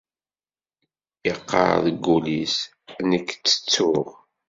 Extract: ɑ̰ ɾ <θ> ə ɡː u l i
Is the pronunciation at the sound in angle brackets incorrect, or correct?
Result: incorrect